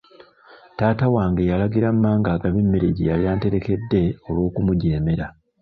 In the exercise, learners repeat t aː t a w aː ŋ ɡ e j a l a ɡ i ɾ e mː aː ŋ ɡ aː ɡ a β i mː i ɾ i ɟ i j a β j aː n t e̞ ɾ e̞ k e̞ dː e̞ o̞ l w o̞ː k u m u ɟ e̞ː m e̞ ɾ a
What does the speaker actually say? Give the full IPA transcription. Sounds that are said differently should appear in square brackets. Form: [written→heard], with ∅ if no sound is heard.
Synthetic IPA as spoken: t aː t a w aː ŋ ɡ e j a l a ɡ i ɾ [e→a] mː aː ŋ ɡ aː ɡ a β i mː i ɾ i ɟ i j a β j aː n t e̞ ɾ e̞ k e̞ dː e̞ o̞ l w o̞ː k u m u ɟ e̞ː m e̞ ɾ a